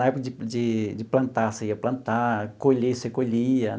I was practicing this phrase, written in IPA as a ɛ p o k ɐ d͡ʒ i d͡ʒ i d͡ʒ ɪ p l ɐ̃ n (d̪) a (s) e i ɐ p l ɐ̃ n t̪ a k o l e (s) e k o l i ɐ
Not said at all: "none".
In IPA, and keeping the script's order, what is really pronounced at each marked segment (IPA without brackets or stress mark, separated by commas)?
t̪, s, s